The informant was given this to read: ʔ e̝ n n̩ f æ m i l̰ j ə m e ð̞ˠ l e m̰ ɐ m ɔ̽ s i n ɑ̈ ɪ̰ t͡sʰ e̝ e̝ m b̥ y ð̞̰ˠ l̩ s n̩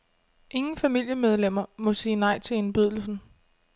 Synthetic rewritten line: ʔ e̝ ŋ n̩ f æ m i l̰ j ə m e ð̞ˠ l e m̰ ɐ m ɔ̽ s iː n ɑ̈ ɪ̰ t͡sʰ e̝ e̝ n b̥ y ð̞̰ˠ l̩ s n̩